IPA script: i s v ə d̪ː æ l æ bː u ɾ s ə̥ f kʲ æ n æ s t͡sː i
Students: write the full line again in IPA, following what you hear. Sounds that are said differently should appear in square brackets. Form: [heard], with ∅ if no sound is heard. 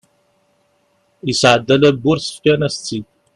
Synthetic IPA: i s [ʕ] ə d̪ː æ l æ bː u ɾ s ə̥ f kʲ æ n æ s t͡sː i